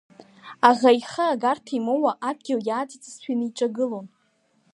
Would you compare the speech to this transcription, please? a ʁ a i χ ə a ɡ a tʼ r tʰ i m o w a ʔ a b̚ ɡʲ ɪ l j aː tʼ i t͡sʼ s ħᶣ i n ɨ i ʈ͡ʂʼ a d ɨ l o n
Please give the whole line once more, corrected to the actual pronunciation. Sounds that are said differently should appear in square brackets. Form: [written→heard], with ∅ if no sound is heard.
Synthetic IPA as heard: a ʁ a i χ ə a ɡ a [tʼ→∅] r tʰ i m o w a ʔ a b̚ ɡʲ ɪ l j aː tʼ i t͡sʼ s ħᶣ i n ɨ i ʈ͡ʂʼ a [d→ɡ] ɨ l o n